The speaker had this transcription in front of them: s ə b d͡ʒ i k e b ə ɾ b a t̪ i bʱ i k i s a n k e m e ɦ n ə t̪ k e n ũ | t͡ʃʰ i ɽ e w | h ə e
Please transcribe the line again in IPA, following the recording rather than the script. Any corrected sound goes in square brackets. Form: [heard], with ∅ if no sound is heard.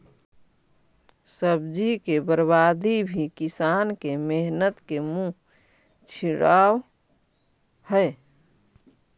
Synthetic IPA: s ə b d͡ʒ i k e b ə ɾ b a [d̪] i bʱ i k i s a n k e m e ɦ n ə t̪ k e [m] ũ | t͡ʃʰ i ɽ [a] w | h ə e